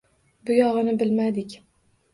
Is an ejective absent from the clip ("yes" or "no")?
yes